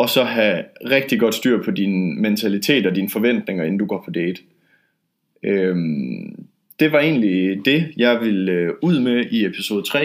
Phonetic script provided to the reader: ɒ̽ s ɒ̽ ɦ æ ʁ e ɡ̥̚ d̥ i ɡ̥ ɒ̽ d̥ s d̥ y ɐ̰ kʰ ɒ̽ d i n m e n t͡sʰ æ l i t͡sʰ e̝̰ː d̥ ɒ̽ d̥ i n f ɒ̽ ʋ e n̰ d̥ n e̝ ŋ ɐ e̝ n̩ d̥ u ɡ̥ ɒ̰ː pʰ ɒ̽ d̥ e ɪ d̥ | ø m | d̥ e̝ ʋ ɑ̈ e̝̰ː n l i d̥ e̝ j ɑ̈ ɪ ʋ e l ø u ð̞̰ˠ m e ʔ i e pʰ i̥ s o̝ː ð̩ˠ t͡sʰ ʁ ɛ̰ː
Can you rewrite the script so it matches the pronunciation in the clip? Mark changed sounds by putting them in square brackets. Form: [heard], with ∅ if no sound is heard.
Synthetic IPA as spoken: ɒ̽ s ɒ̽ ɦ æ ʁ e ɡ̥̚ d̥ i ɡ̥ ɒ̽ d̥ s d̥ y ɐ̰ [pʰ] ɒ̽ d i n m e n t͡sʰ æ l i t͡sʰ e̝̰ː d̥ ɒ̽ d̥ i n f ɒ̽ ʋ e n̰ d̥ n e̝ ŋ ɐ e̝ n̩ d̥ u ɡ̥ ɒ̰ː pʰ ɒ̽ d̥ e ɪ d̥ | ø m | d̥ e̝ ʋ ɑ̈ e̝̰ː n l i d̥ e̝ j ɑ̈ ɪ ʋ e l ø u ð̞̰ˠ m e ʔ i e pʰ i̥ s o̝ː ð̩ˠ t͡sʰ ʁ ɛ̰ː